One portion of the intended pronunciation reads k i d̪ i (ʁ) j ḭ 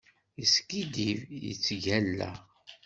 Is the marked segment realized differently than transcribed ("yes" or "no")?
yes